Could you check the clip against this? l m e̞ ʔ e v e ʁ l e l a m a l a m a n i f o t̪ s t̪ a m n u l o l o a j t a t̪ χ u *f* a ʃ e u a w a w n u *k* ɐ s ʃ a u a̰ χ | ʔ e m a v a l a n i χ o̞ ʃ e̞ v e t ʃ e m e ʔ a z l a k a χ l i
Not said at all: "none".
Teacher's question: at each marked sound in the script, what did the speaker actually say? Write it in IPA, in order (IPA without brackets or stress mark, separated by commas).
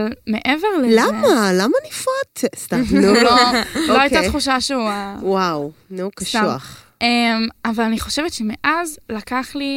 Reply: ʃ, k